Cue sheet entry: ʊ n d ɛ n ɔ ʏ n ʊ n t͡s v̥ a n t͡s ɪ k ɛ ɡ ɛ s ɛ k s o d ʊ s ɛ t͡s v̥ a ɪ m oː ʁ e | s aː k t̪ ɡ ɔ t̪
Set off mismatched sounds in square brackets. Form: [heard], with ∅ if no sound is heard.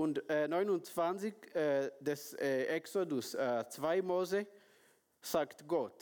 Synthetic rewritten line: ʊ n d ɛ n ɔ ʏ n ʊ n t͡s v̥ a n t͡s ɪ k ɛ [d] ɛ s ɛ k s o d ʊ s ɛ t͡s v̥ a ɪ m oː [z] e | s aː k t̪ ɡ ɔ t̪